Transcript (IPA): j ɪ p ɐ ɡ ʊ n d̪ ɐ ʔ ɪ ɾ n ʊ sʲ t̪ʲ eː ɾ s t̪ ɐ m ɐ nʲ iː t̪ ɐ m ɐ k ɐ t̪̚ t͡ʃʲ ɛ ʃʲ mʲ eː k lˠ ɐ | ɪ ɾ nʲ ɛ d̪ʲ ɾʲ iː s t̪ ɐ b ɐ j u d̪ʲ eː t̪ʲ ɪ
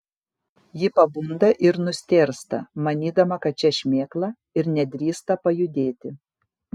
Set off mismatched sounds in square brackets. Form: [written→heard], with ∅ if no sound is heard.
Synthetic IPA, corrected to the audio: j ɪ p ɐ [ɡ→b] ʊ n d̪ ɐ ʔ ɪ ɾ n ʊ sʲ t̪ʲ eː ɾ s t̪ ɐ m ɐ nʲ iː [t̪→d̪] ɐ m ɐ k ɐ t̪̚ t͡ʃʲ ɛ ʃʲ mʲ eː k lˠ ɐ | ɪ ɾ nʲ ɛ d̪ʲ ɾʲ iː s t̪ ɐ [b→p] ɐ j [u→ʊ] d̪ʲ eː t̪ʲ ɪ